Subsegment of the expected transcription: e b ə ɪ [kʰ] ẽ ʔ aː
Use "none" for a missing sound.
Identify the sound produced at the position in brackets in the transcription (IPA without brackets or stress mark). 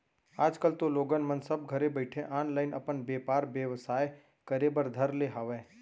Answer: ʈʰ